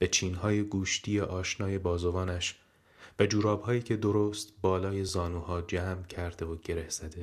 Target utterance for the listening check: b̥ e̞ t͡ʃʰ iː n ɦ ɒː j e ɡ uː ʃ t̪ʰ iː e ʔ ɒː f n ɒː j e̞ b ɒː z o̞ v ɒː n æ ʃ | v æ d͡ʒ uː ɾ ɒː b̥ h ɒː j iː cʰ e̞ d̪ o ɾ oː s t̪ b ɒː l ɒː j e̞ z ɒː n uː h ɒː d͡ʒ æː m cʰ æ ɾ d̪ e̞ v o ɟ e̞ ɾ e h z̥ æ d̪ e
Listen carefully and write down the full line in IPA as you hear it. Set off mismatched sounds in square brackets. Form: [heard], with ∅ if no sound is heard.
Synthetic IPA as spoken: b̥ e̞ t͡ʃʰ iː n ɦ ɒː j e ɡ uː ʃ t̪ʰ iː e ʔ ɒː [ʃ] n ɒː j e̞ b ɒː z o̞ v ɒː n æ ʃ | v æ d͡ʒ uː ɾ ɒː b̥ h ɒː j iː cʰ e̞ d̪ o ɾ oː s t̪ b ɒː l ɒː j e̞ z ɒː n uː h ɒː d͡ʒ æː m cʰ æ ɾ d̪ e̞ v o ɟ e̞ ɾ e h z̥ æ d̪ e